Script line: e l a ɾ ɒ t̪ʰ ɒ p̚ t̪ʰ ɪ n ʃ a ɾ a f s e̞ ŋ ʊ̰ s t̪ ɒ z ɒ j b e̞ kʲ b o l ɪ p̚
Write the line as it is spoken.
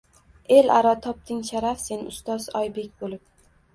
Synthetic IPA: e l a ɾ ɒ t̪ʰ ɒ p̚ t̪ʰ ɪ ŋ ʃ a ɾ a f s e̞ n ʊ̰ s t̪ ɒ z ɒ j b e̞ kʲ b o l ɪ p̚

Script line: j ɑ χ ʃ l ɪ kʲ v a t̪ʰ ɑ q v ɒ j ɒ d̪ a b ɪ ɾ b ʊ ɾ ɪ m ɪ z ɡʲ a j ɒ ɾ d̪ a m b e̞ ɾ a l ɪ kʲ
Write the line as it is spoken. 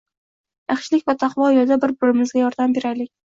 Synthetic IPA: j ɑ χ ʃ l ɪ kʲ v a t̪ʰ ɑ q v ɒ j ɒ d̪ a b ɪ ɾ b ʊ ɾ ɪ m ɪ z ɡʲ a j ɒ ɾ d̪ a m b e̞ ɾ a l ɪ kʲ

